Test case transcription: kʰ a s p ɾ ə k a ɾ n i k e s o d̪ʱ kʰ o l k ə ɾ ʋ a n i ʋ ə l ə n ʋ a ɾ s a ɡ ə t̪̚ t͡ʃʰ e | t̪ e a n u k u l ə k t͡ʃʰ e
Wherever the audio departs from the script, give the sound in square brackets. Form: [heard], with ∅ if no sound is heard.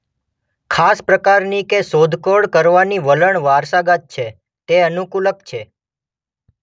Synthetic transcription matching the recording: kʰ a s p ɾ ə k a ɾ n i k e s o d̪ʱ [k] o [ɽ] k ə ɾ ʋ a n i ʋ ə l ə [ɳ] ʋ a ɾ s a ɡ [a] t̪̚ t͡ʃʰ e | t̪ e [ə] n u k u l ə k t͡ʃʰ e